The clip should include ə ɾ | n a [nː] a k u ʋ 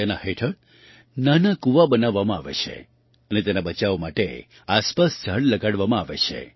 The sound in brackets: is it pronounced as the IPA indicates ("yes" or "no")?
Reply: no